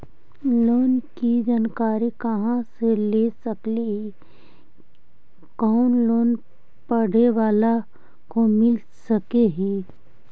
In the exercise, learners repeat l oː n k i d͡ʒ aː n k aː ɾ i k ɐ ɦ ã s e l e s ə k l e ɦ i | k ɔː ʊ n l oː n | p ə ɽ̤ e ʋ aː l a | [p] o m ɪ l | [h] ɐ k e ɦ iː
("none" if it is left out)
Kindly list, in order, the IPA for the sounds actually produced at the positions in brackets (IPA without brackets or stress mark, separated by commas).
k, s